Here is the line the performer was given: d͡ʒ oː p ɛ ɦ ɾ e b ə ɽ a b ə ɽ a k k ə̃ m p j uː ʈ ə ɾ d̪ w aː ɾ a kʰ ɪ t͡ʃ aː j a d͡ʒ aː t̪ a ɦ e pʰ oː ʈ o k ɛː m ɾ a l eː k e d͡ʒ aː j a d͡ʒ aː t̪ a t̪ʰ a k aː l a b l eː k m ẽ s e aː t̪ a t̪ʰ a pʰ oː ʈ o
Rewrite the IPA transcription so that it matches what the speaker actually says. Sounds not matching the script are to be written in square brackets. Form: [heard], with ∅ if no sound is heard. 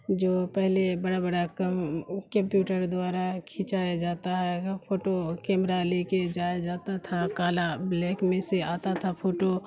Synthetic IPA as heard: d͡ʒ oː p ɛ ɦ [l] e b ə ɽ a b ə ɽ a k k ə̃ m p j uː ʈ ə ɾ d̪ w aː ɾ a kʰ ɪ t͡ʃ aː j a d͡ʒ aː t̪ a ɦ [ɛ] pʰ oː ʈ o k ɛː m ɾ a l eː k e d͡ʒ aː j a d͡ʒ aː t̪ a t̪ʰ a k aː l a b l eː k m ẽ s e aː t̪ a t̪ʰ a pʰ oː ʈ o